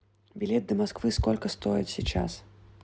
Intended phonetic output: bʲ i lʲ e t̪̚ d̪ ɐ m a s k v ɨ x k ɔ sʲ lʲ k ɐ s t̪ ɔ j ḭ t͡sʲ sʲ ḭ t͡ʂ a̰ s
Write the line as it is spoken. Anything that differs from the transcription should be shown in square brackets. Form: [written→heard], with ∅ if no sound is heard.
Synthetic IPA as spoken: bʲ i lʲ [e→ɛ] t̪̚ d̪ ɐ m a s k v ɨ [x→s] k ɔ [sʲ→∅] lʲ k ɐ s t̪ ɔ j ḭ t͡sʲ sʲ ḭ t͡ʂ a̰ s